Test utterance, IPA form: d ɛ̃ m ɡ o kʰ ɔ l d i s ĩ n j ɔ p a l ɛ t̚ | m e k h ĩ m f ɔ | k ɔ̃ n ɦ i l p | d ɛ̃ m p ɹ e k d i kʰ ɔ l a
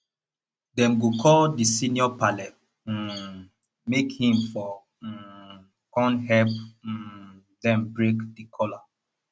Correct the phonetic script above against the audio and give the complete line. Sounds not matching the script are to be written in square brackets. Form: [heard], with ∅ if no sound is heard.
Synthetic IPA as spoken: d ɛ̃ m ɡ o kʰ ɔ l d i s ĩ n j ɔ p a l ɛ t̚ | m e k h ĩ m f ɔ | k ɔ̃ n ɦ [ɛ] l p | d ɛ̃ m [b] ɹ e k d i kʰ ɔ l a